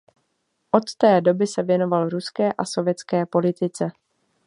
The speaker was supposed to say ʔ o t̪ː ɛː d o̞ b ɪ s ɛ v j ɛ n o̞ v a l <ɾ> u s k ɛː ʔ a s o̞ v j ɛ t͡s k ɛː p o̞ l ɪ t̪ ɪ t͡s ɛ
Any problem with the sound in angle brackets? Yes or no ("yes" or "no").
no